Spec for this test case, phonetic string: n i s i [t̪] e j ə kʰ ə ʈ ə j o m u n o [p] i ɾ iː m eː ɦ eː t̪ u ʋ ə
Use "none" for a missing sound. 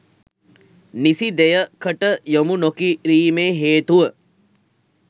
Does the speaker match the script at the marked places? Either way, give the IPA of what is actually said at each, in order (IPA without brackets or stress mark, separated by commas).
d̪, k